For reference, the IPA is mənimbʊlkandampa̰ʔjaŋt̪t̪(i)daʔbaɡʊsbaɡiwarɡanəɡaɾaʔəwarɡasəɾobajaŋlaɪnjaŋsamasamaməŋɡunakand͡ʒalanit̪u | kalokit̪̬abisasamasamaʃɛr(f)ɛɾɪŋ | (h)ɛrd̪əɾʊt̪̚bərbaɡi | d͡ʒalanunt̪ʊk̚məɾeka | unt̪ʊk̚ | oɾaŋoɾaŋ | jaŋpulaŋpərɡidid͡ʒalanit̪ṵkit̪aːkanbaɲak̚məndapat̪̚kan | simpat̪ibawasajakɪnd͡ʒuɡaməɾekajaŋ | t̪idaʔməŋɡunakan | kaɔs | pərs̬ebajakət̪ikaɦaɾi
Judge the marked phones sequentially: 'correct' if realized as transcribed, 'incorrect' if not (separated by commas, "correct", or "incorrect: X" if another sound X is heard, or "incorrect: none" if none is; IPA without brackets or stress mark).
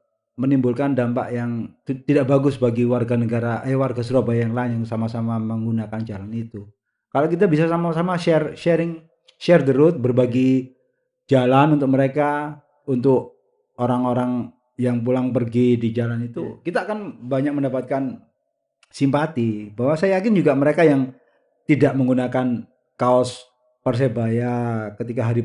correct, incorrect: ʃ, incorrect: ʃ